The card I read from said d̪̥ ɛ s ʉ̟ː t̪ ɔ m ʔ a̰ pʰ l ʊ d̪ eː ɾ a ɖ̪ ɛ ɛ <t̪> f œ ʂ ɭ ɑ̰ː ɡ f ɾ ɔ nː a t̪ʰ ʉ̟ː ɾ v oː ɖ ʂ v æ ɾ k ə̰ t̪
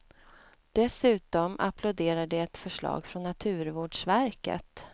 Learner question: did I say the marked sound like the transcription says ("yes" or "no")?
yes